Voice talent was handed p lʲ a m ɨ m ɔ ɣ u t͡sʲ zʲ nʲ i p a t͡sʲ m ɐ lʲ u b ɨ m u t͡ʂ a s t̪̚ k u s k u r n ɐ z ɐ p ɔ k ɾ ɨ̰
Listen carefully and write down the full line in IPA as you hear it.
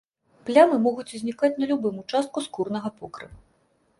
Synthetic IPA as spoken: p lʲ a m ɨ m ɔ ɣ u t͡sʲ zʲ nʲ i k a t͡sʲ n ɐ lʲ u b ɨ m u t͡ʂ a s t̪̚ k u s k u r n ɐ ɣ ɐ p ɔ k ɾ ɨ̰